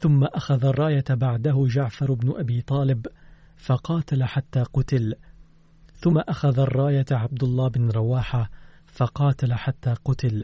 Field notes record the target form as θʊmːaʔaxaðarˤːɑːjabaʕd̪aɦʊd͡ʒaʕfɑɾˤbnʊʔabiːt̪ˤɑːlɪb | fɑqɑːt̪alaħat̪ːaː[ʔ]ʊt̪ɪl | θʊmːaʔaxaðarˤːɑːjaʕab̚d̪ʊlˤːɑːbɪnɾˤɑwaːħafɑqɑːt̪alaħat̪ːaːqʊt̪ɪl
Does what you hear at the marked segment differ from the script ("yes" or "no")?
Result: yes